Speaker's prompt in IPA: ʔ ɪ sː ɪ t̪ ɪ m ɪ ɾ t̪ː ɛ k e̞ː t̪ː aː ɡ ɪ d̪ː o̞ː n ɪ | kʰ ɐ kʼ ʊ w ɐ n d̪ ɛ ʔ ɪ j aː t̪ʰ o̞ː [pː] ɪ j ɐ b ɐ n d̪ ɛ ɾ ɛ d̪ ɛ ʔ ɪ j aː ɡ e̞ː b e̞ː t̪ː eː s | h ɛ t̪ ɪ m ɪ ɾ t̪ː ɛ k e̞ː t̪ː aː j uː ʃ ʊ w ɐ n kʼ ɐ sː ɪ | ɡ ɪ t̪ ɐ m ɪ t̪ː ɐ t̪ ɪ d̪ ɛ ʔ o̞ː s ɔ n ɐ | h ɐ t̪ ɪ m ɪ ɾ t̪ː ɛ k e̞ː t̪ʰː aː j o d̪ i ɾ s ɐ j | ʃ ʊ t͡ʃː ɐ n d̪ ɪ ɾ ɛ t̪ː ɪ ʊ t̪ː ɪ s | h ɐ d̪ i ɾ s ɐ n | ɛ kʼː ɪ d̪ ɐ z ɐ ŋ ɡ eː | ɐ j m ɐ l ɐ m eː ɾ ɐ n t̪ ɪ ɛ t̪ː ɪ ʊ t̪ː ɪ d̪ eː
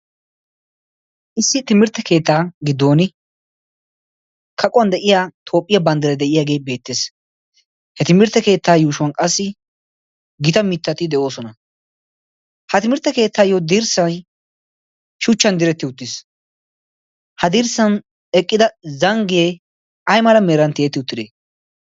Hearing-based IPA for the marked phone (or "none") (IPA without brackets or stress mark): pʼː